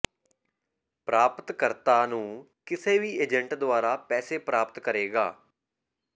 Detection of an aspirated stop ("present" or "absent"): absent